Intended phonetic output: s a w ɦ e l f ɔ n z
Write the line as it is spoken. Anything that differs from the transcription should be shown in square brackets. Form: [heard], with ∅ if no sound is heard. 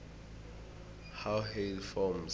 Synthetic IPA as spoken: [h] a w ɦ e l f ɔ [m] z